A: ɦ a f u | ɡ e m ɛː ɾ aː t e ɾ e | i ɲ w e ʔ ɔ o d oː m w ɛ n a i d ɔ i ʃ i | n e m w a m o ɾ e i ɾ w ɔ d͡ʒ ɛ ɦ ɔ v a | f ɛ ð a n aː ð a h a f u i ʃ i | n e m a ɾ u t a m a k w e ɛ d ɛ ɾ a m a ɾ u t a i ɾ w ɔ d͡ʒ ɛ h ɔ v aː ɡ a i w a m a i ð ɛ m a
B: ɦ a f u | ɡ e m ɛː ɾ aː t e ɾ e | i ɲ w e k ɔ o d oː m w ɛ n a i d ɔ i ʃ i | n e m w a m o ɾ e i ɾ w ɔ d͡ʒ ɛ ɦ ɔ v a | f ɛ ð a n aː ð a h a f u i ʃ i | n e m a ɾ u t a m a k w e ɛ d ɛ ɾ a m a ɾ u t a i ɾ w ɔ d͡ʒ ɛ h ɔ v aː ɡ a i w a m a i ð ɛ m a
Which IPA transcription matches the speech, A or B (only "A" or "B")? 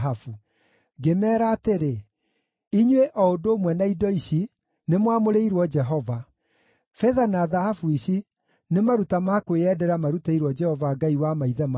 A